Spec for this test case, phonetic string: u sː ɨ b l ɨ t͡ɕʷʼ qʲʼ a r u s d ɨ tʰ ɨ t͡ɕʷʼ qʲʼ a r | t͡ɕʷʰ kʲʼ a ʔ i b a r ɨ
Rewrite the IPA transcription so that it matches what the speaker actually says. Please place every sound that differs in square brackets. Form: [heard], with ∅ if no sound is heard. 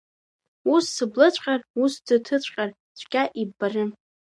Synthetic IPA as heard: u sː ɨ b l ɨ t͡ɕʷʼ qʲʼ a r u s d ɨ tʰ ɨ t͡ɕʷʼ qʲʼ a r | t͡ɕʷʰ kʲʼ a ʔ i b a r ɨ